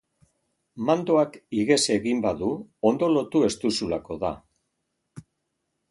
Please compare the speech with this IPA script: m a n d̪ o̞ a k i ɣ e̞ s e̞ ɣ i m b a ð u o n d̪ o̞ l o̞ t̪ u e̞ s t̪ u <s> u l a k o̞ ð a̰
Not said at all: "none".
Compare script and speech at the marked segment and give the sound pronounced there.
s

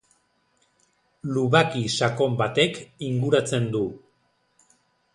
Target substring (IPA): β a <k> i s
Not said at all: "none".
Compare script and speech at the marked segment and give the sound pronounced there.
k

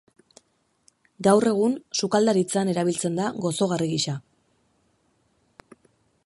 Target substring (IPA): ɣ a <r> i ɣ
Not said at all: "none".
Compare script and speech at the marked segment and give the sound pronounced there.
r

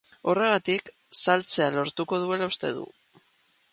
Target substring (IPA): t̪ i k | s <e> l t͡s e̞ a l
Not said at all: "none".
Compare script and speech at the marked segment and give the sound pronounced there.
a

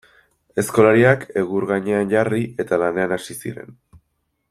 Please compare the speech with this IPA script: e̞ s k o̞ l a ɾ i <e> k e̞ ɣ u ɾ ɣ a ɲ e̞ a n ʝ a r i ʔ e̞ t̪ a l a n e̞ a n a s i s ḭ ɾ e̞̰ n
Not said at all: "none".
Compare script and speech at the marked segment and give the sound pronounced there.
a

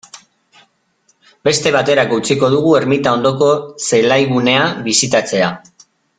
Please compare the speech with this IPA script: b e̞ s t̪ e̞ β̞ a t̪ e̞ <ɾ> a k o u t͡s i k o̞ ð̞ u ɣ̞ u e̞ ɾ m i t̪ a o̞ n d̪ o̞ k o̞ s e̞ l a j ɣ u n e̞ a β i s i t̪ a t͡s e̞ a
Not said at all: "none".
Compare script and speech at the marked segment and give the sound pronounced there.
ɾ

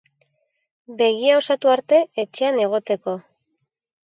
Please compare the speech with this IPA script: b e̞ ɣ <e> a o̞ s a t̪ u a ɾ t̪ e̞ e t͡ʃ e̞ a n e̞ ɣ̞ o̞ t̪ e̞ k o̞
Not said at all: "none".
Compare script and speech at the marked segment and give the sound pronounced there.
i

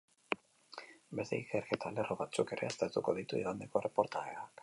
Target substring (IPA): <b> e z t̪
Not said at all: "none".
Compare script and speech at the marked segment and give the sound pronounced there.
b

